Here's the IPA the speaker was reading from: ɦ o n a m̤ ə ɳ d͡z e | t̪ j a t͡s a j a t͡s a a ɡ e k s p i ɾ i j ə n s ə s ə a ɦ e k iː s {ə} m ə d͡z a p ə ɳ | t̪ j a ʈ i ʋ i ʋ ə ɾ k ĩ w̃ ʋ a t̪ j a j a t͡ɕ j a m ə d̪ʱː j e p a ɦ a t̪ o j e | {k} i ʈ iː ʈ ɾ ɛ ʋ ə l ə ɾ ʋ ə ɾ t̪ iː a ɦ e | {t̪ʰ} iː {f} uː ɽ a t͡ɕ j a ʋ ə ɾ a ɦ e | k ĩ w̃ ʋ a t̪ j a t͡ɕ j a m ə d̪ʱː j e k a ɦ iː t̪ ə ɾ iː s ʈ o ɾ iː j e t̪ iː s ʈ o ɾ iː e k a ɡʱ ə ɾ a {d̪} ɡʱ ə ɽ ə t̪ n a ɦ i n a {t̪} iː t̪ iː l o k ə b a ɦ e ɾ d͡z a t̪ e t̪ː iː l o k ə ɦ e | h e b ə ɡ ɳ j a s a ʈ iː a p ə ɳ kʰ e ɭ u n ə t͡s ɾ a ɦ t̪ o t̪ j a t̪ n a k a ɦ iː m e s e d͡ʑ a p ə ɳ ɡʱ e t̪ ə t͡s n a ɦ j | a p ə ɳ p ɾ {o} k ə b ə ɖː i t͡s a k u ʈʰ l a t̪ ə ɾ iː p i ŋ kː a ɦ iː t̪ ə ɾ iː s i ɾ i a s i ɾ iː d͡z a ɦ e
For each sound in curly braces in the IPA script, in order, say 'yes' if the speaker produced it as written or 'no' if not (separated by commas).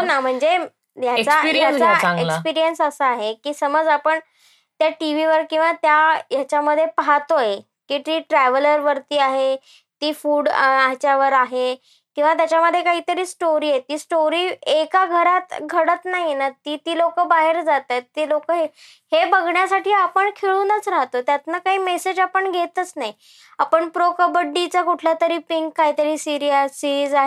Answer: yes, yes, no, yes, no, yes, yes